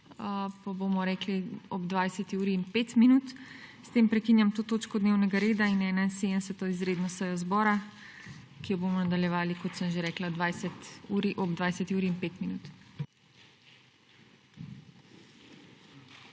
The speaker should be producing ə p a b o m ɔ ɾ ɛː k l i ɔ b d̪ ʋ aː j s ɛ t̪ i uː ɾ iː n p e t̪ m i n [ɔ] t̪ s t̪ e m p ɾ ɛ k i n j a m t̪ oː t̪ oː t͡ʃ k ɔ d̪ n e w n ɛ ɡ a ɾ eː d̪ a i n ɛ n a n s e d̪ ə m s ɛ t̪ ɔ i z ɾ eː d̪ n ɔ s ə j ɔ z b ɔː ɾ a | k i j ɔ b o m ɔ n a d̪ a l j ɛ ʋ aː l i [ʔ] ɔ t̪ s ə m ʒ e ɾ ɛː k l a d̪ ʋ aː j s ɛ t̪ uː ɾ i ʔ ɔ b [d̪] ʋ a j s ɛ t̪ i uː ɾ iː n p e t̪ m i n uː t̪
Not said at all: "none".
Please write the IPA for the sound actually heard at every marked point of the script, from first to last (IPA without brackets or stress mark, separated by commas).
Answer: u, k, d̪